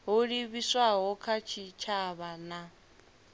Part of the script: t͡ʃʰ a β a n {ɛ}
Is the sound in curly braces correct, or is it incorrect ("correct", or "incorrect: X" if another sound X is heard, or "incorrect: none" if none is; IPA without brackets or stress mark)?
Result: incorrect: a